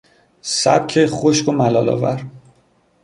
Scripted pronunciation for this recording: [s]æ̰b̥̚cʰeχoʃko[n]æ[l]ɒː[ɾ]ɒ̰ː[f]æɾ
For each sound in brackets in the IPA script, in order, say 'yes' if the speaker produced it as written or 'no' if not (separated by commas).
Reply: yes, no, yes, no, no